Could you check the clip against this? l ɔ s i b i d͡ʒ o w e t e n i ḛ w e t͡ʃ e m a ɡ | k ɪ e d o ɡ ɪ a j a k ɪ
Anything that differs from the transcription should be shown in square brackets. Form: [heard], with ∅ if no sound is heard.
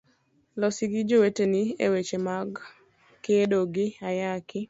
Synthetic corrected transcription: l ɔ s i [ɡ] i d͡ʒ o w e t e n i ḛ w e t͡ʃ e m a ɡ | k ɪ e d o ɡ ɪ a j a k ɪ